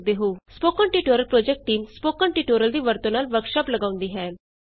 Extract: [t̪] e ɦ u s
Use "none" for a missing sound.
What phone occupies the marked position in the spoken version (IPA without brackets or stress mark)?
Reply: d̪